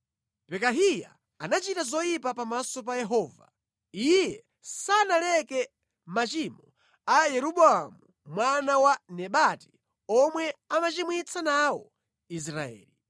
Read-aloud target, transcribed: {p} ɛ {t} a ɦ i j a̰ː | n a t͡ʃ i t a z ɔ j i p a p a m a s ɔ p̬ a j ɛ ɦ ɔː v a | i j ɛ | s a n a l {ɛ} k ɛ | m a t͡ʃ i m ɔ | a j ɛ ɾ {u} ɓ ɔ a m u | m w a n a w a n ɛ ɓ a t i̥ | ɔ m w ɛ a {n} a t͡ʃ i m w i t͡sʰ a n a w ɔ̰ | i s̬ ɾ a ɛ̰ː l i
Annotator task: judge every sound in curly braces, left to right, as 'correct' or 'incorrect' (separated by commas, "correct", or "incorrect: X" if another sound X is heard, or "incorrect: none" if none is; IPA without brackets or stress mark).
correct, incorrect: k, correct, correct, incorrect: m